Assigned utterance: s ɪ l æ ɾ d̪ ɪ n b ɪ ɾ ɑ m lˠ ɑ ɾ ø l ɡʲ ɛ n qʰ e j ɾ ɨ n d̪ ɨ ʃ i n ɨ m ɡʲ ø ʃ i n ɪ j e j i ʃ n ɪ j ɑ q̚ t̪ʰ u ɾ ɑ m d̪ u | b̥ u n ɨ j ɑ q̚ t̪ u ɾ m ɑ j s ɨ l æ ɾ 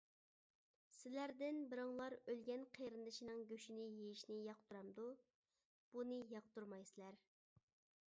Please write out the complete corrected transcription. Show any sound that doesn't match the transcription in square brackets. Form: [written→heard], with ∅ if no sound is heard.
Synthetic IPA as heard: s ɪ l æ ɾ d̪ ɪ n b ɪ ɾ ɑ [m→ŋ] lˠ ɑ ɾ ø l ɡʲ ɛ n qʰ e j ɾ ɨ n d̪ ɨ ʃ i n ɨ [m→ŋ] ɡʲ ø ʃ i n ɪ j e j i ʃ n ɪ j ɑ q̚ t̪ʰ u ɾ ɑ m d̪ u | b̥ u n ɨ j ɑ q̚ t̪ u ɾ m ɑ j s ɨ l æ ɾ